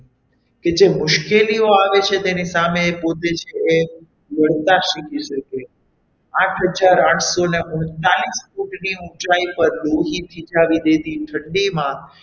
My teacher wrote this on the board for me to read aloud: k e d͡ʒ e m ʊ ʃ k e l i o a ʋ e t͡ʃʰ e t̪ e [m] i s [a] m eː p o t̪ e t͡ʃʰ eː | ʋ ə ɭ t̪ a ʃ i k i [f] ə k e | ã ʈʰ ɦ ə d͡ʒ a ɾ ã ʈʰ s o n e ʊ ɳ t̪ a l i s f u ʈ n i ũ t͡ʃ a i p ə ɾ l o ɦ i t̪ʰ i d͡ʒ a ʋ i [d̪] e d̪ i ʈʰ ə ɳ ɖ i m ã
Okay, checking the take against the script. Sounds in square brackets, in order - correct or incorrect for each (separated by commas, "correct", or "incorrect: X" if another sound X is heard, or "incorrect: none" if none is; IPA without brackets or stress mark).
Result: incorrect: n, correct, incorrect: ʃ, correct